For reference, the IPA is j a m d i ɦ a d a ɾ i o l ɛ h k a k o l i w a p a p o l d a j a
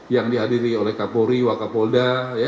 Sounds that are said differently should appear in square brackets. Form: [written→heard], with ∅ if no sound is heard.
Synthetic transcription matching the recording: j a [m→ŋ] d i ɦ a d [a→i] ɾ i o l ɛ h k a [k→p] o [l→ɾ] i w a [p→k] a p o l d a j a